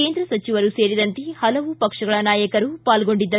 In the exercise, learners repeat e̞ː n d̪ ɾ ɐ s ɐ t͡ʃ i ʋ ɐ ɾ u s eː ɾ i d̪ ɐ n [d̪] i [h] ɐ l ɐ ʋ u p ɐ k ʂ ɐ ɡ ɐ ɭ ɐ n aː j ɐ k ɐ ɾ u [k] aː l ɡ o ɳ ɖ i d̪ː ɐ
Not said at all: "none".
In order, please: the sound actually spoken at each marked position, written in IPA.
t̪, h, p

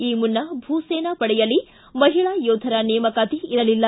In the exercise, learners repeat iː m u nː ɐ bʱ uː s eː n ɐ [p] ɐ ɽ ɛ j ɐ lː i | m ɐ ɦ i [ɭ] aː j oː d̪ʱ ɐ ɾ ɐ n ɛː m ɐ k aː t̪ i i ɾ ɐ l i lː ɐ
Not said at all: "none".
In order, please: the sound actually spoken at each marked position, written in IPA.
p, ɭ

